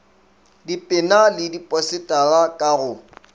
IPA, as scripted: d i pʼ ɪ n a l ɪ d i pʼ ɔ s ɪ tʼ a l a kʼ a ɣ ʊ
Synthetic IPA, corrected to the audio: d i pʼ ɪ n a l ɪ d i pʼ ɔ s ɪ tʼ a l a kʼ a ɣ ʊ